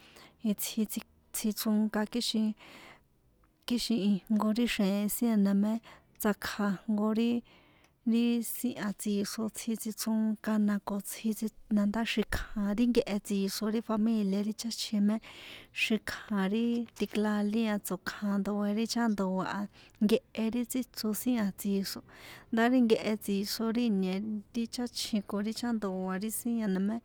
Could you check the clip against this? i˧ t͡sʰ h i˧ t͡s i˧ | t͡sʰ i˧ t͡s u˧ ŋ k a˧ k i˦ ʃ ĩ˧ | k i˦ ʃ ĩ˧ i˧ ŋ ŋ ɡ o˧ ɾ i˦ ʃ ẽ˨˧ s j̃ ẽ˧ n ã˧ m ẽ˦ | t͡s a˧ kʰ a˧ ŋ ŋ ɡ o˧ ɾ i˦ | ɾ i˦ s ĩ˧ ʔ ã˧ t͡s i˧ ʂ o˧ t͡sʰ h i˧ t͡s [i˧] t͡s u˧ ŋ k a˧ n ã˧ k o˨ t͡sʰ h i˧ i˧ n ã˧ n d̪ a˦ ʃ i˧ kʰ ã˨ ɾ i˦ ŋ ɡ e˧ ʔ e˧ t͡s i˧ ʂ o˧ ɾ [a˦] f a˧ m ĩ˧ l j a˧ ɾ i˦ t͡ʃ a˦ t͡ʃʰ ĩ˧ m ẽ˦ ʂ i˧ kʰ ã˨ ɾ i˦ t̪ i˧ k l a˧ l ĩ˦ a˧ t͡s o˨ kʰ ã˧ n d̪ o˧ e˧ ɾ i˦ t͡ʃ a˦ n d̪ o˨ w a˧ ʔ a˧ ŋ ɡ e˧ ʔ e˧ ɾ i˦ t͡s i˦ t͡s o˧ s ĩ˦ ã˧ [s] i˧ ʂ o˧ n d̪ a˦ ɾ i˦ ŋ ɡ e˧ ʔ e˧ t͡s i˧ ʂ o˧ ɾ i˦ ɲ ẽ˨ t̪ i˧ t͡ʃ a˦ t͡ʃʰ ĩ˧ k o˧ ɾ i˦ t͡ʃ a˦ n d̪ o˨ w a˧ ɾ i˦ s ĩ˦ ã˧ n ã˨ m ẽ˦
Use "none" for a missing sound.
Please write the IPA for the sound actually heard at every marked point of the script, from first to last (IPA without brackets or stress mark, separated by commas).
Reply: i˧, i˦, t͡s